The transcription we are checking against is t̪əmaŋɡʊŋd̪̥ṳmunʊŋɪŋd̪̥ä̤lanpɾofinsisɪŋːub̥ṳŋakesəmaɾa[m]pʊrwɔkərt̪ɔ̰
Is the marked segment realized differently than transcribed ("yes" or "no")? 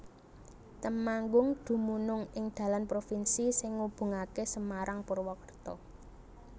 yes